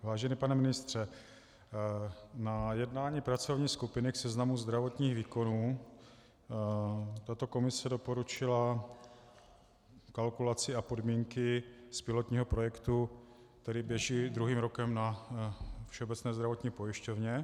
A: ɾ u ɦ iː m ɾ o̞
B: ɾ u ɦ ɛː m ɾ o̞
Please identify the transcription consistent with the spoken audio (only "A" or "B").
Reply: A